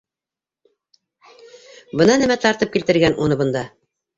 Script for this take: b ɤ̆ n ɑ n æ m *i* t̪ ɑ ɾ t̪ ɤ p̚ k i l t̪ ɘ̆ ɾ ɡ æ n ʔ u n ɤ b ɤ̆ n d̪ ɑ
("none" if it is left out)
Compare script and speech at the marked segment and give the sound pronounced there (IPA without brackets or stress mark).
æ